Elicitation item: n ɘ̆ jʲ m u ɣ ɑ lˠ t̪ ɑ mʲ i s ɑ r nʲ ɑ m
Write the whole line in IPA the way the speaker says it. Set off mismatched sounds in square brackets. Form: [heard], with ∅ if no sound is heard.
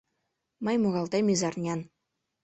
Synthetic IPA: [m] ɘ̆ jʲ m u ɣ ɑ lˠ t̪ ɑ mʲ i [z] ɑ r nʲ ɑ [n]